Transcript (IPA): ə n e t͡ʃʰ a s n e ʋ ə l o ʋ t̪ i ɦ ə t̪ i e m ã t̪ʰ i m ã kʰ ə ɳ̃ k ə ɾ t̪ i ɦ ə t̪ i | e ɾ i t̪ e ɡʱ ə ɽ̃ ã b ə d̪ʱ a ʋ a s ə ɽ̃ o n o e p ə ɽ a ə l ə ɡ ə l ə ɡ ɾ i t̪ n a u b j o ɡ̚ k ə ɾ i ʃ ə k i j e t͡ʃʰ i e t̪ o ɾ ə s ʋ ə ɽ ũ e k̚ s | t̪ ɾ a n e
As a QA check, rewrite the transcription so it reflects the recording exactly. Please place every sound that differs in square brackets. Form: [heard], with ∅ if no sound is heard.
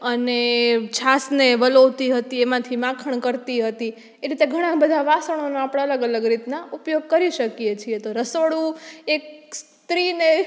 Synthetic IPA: ə n e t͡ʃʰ a s n e ʋ ə l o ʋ t̪ i ɦ ə t̪ i e m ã t̪ʰ i m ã kʰ ə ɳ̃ k ə ɾ t̪ i ɦ ə t̪ i | e ɾ i t̪ e ɡʱ ə ɽ̃ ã b ə d̪ʱ a ʋ a s ə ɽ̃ o n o [a] p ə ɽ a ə l ə ɡ ə l ə ɡ ɾ i t̪ n a u [p] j o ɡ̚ k ə ɾ i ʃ ə k i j e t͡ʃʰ i e t̪ o ɾ ə s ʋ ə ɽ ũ e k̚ s | t̪ ɾ [i] n e